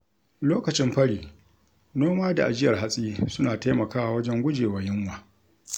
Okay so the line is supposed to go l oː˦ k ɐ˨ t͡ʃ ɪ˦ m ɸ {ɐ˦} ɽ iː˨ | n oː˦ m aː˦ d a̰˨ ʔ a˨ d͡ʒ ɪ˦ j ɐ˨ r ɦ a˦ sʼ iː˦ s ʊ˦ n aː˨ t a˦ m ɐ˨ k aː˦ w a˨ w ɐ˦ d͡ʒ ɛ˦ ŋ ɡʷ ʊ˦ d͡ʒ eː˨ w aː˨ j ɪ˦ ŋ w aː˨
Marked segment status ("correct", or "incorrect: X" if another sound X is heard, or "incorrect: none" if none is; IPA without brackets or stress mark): correct